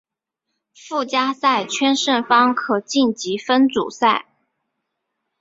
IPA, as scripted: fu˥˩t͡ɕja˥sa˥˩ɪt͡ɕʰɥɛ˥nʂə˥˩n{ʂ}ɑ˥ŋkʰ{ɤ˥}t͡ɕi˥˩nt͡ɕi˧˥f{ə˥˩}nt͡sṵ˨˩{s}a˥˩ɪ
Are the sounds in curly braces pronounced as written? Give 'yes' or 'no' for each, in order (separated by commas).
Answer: no, no, no, yes